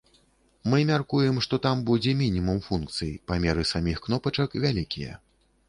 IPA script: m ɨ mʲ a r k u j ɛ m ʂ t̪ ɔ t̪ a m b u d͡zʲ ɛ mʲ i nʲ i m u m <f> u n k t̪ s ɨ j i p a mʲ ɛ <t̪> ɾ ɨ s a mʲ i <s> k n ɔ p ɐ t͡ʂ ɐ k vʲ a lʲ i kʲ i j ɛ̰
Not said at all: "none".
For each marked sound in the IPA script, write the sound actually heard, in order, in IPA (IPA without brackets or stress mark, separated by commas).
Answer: f, none, x